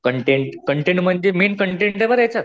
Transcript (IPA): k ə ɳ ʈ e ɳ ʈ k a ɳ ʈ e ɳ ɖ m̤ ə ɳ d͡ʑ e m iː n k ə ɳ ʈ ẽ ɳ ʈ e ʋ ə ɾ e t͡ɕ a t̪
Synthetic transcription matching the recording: k ə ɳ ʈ e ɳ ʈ k ə ɳ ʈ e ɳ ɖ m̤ ə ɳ d͡ʑ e m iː n k ə ɳ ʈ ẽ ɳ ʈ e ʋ ə ɾ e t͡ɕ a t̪

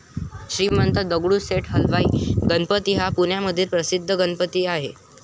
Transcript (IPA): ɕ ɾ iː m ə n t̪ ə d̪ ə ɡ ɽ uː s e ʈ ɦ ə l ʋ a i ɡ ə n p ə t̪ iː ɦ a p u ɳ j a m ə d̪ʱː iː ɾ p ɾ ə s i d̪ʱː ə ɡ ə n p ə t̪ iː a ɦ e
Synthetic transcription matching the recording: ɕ ɾ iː m ə n t̪ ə d̪ ə ɡ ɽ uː s e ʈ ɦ ə l ʋ a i ɡ ə n p ə t̪ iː ɦ a p u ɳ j a m ə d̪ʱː iː ɾ p ɾ ə s i d̪ʱː ə ɡ ə n p ə t̪ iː a ɦ e

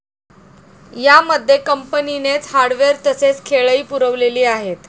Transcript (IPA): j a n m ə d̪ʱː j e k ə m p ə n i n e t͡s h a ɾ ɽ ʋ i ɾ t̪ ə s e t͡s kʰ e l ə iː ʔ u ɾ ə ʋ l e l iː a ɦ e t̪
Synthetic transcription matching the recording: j a m ə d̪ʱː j e k ə m p ə n i n e t͡s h a ɾ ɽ ʋ e ɾ t̪ ə s e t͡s kʰ e ɭ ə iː p u ɾ ə ʋ l e l iː a ɦ e t̪

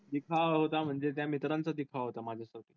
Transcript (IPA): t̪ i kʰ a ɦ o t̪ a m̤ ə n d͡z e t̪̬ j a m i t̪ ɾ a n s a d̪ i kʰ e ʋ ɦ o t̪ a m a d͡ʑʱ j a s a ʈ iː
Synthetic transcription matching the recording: d̪ i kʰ a ɦ o t̪ a m̤ ə ɳ d͡z e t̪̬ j a m i t̪ ɾ a n t͡s a d̪ i kʰ a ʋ ɦ o t̪ a m a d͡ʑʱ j a s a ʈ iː

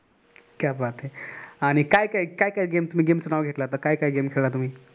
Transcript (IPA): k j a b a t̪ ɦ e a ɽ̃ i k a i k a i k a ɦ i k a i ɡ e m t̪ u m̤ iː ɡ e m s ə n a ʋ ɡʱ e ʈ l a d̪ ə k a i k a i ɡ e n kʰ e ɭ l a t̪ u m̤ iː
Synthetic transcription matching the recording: k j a b a t̪ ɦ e a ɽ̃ i k a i k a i k a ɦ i k a i ɡ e m t̪ u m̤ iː ɡ e m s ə n a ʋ ɡʱ e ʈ l a t̪ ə k a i k a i ɡ e m kʰ e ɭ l a t̪ u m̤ iː

